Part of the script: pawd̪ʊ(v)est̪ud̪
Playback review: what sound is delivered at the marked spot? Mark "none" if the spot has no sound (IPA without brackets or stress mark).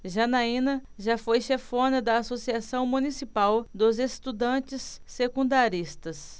z